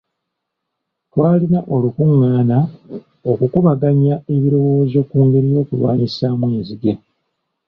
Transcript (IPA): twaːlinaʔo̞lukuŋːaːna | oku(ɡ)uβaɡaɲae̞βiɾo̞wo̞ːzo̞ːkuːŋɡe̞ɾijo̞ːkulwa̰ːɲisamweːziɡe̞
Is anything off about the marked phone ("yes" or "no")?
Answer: yes